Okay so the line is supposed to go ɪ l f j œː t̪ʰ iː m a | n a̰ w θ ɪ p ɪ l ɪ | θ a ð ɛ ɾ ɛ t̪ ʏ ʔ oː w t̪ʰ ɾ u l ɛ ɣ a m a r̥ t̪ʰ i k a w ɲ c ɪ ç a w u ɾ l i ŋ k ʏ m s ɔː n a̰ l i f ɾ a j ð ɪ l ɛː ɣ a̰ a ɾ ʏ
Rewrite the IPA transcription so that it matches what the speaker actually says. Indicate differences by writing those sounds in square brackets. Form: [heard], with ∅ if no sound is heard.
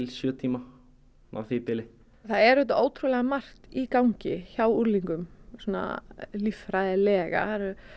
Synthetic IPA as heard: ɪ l [s] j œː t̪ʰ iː m a | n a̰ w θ ɪ p ɪ l ɪ | θ a ð ɛ ɾ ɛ t̪ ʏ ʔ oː w t̪ʰ ɾ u l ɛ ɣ a m a r̥ [t̪] i k a w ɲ c ɪ ç a w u ɾ l i ŋ k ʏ m s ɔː n a̰ l i f ɾ a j ð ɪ l ɛː ɣ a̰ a ɾ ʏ